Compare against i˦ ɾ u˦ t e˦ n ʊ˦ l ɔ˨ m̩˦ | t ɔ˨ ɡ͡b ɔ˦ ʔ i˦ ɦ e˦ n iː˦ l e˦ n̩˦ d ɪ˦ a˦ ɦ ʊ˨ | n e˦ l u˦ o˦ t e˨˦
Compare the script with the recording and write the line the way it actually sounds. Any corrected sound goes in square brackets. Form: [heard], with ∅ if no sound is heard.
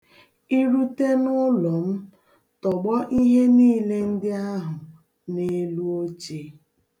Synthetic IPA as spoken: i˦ ɾ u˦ t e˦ n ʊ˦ l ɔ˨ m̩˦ | t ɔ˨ ɡ͡b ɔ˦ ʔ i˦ ɦ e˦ n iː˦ l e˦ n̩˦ d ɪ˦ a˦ ɦ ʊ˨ | n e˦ l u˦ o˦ [t͡ʃ] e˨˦